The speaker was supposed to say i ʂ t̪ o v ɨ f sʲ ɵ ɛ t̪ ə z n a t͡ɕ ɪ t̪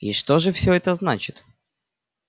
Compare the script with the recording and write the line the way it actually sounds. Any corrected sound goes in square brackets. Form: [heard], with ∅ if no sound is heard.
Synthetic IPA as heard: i ʂ t̪ o [ʐ] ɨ f sʲ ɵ ɛ t̪ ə z n a t͡ɕ ɪ t̪